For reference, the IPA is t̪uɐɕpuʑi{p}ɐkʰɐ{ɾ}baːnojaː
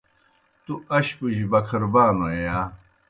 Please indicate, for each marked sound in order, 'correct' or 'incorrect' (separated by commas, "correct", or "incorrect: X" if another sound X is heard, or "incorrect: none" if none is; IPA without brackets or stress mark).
incorrect: b, correct